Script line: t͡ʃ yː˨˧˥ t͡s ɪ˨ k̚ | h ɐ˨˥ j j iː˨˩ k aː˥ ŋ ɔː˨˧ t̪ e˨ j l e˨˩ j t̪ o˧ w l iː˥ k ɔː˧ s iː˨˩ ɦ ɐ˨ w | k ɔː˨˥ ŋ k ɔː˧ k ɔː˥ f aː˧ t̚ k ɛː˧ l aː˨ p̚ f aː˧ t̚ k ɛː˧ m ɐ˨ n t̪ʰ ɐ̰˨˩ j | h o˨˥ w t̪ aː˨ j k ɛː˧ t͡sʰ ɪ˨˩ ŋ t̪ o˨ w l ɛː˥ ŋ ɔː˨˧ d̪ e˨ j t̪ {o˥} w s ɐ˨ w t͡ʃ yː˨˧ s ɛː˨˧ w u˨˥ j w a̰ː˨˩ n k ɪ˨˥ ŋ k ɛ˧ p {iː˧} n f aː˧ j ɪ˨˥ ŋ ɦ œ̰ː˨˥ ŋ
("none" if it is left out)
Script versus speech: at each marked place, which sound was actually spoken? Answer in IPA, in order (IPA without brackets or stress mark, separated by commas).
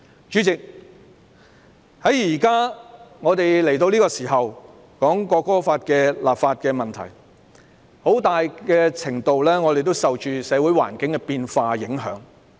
o˥, iː˧